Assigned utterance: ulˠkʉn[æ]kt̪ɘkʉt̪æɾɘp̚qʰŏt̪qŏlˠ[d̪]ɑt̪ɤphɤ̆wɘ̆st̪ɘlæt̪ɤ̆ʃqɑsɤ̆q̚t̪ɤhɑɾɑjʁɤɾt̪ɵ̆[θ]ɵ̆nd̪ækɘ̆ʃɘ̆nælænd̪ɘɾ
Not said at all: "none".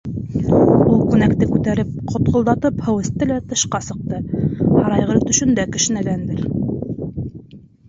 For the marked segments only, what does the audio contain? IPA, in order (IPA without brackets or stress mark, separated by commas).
æ, d̪, ʃ